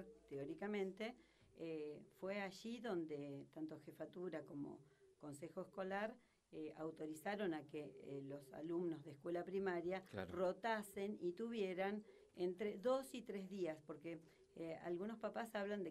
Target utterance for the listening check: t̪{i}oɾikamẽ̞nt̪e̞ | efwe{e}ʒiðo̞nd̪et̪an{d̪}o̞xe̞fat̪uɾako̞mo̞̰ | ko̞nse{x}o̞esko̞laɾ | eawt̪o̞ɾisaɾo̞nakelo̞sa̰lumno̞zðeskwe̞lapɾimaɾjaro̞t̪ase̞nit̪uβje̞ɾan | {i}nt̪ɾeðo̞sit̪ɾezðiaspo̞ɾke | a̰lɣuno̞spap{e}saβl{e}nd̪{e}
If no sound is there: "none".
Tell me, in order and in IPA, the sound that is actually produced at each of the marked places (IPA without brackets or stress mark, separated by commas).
e, a, t̪, x, e, a, a, e